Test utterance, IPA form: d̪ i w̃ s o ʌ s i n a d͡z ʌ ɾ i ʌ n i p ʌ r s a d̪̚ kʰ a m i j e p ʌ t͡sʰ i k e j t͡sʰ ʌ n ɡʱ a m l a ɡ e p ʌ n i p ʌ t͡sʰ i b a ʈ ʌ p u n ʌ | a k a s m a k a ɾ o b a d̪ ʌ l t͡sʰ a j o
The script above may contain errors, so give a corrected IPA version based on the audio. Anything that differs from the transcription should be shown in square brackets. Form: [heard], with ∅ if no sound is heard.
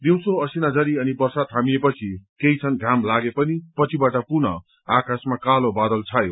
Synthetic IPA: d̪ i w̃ s o ʌ s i n a d͡z ʌ ɾ i ʌ n i p ʌ r s a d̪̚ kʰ a m i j e p ʌ t͡sʰ i k e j t͡sʰ ʌ n ɡʱ a m l a ɡ e p ʌ n i p ʌ t͡sʰ i b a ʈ ʌ p u n ʌ | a k a s m a k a [l] o b a d̪ ʌ l t͡sʰ a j o

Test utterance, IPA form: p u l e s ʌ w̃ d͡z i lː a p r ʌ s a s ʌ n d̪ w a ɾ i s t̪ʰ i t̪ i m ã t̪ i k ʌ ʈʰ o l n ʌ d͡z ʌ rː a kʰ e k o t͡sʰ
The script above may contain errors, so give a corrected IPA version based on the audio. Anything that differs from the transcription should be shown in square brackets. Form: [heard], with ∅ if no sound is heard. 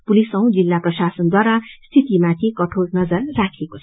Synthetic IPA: p u l [i] s ʌ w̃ d͡z i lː a p r ʌ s a s ʌ n d̪ w a ɾ [a] s t̪ʰ i t̪ i m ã [t̪ʰ] i k ʌ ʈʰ o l n ʌ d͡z ʌ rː a kʰ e k o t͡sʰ

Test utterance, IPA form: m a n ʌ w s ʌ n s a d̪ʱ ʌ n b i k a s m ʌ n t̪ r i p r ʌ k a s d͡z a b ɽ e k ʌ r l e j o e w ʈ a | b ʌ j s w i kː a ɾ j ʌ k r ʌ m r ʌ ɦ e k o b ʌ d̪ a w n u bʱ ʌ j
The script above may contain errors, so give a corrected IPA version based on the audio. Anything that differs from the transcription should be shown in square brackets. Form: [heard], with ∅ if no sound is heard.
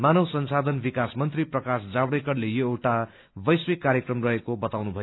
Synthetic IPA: m a n ʌ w s ʌ n s a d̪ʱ ʌ n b i k a s m ʌ n t̪ r i p r ʌ k a s d͡z a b ɽ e k ʌ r l e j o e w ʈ a | b ʌ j s w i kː a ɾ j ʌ k r ʌ m r ʌ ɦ e k o b ʌ [t̪] a w n u bʱ ʌ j

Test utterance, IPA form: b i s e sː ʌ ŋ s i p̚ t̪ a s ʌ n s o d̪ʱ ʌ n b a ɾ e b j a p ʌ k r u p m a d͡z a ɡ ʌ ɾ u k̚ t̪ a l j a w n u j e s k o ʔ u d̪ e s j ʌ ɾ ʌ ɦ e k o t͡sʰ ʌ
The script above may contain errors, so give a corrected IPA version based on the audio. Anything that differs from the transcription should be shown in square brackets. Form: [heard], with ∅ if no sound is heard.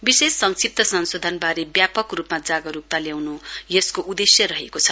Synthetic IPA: b i s e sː ʌ ŋ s i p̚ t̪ [ʌ] s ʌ n s o d̪ʱ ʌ n b a ɾ e b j a p ʌ k r u p m a d͡z a ɡ ʌ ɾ u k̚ t̪ a l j a w n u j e s k o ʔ u d̪ e s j ʌ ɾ ʌ ɦ e k o t͡sʰ ʌ

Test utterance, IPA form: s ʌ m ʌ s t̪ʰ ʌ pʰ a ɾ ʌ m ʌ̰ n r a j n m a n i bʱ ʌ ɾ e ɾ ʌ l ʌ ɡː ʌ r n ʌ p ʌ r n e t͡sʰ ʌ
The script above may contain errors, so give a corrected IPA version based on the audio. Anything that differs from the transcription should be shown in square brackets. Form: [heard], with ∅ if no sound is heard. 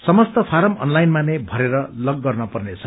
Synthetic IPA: s ʌ m ʌ s [t̪] ʌ pʰ a ɾ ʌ m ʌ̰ n [l] a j n m a n [e] bʱ ʌ ɾ e ɾ ʌ l ʌ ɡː ʌ r n ʌ p ʌ r n e t͡sʰ ʌ

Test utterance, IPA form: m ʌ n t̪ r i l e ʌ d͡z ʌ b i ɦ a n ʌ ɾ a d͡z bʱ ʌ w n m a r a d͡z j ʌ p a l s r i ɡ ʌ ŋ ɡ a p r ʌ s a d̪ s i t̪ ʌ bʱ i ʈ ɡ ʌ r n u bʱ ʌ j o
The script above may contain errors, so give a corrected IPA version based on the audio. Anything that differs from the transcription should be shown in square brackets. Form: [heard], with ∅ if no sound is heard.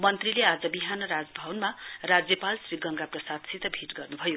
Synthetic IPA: m ʌ n t̪ r i l e [a] d͡z ʌ b i ɦ a n ʌ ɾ a d͡z bʱ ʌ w n m a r a d͡z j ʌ p a l s r i ɡ ʌ ŋ ɡ a p r ʌ s a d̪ s i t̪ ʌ bʱ i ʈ ɡ ʌ r n u bʱ ʌ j o

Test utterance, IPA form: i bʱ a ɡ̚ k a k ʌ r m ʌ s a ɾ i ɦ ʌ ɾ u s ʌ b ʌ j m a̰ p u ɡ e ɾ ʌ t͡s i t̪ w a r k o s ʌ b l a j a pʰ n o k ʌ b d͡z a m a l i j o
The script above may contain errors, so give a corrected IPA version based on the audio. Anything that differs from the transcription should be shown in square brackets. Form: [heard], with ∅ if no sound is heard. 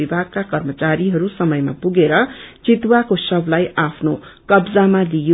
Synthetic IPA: i bʱ a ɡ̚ k a k ʌ r m ʌ [t͡s] a ɾ i ɦ ʌ ɾ u s ʌ [m] ʌ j m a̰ p u ɡ e ɾ ʌ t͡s i t̪ w a [∅] k o s ʌ b l a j a pʰ n o k ʌ b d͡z a m a l i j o

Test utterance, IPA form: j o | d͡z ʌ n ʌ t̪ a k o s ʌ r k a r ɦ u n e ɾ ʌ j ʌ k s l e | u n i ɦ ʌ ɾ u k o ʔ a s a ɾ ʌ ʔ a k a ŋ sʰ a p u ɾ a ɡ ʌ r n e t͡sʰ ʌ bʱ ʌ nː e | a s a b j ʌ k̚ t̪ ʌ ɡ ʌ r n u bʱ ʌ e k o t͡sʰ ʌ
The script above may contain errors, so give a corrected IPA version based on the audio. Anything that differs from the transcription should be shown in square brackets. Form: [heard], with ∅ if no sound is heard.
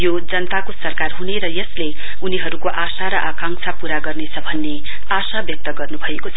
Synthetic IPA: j o | d͡z ʌ n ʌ t̪ a k o s ʌ r k a r ɦ u n e ɾ ʌ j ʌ [∅] s l e | u n i ɦ ʌ ɾ u k o ʔ a s a ɾ ʌ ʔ a k a ŋ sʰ a p u ɾ a ɡ ʌ r n e t͡sʰ ʌ bʱ ʌ nː e | a s a b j ʌ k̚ t̪ ʌ ɡ ʌ r n u bʱ ʌ e k o t͡sʰ ʌ

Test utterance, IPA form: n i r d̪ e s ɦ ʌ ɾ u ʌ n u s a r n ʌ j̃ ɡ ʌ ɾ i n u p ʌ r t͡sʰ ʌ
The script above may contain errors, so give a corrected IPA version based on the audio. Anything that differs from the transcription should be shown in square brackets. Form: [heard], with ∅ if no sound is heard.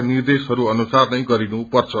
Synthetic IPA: n i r d̪ e s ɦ ʌ ɾ u ʌ n u s a r n ʌ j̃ ɡ ʌ ɾ i n u p ʌ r t͡sʰ ʌ

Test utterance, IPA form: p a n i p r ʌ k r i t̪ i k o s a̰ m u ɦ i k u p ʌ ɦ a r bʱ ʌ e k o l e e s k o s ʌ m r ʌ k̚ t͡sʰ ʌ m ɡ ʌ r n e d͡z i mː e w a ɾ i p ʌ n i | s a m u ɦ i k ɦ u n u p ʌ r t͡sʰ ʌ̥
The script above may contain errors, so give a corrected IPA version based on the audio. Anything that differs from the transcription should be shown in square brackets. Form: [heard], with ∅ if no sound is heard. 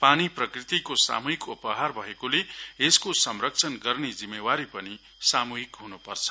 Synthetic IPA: p a n i p r ʌ k r i t̪ i k o s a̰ m u ɦ i k u p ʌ ɦ a r bʱ ʌ e k o l e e s k o s ʌ m r ʌ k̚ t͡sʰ ʌ [n] ɡ ʌ r n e d͡z i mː e w a ɾ i p ʌ n i | s a m u ɦ i k ɦ u n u p ʌ r t͡sʰ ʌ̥

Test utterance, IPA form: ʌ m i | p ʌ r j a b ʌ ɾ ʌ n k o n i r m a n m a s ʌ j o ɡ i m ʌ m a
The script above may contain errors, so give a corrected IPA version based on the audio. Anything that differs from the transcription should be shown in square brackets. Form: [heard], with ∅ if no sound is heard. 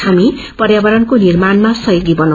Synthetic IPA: [a] m i | p ʌ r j a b ʌ ɾ ʌ n k o n i r m a n m a s ʌ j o ɡ i [b] ʌ [n] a

